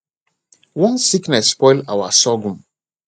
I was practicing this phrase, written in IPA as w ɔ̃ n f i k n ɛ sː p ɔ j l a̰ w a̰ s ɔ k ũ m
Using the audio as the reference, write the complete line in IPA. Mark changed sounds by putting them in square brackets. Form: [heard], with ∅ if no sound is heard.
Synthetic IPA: w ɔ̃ n [s] i k n ɛ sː p ɔ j l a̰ w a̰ s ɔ [ɡ] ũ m